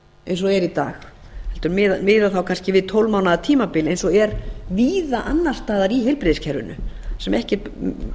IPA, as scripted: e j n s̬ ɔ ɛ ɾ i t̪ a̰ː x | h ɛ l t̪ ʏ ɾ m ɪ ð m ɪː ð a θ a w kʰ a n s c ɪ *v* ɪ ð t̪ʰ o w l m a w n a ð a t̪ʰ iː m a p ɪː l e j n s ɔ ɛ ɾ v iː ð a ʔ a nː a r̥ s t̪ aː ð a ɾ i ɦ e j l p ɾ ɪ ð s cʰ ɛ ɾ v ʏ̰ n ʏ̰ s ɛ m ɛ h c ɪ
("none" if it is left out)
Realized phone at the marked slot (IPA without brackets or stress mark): v